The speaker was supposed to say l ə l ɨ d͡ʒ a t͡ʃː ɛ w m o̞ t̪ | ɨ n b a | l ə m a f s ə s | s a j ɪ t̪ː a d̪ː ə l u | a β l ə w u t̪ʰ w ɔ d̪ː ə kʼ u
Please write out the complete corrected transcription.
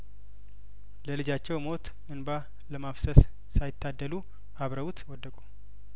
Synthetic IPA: l ə l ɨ d͡ʒ a t͡ʃː ɛ w m o̞ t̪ | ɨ n b a | l ə m a f s ə s | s a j ɪ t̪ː a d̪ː ə l u | a β ɾ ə w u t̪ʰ w ɔ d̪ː ə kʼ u